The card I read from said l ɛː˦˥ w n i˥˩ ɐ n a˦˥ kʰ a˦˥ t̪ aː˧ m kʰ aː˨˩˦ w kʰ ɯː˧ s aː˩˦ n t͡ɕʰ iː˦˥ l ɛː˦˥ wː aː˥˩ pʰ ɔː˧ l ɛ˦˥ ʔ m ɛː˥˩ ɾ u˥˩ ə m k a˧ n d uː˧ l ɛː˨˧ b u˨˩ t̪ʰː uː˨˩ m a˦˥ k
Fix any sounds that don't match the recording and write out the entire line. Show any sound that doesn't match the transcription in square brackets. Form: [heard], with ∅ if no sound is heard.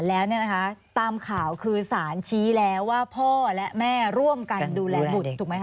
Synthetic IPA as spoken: l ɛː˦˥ w n i˥˩ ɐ n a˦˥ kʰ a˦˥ t̪ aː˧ m kʰ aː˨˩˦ w kʰ ɯː˧ s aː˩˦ n t͡ɕʰ iː˦˥ l ɛː˦˥ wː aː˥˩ pʰ [ɔː˥˩] l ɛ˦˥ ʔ m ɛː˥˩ ɾ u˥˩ ə m k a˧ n d uː˧ l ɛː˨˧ b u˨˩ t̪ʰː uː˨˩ m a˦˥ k